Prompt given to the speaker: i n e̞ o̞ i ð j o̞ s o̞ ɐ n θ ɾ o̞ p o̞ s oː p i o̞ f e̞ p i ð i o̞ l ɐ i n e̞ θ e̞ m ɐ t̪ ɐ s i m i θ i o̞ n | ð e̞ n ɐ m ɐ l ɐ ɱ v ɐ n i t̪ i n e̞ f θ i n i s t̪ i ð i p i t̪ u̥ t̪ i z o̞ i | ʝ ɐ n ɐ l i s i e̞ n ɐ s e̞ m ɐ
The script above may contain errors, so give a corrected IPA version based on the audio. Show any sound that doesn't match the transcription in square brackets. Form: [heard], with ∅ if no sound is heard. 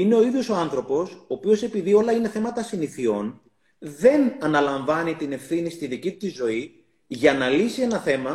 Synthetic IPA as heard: i n e̞ o̞ i ð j o̞ s o̞ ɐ n θ ɾ o̞ p o̞ s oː p i o̞ [s] e̞ p i ð i o̞ l ɐ i n e̞ θ e̞ m ɐ t̪ ɐ s i [n] i θ i o̞ n | ð e̞ n ɐ [n] ɐ l ɐ ɱ v ɐ n i t̪ i n e̞ f θ i n i s t̪ i ð i [c] i t̪ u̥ t̪ i z o̞ i | ʝ ɐ n ɐ l i s i e̞ n ɐ [θ] e̞ m ɐ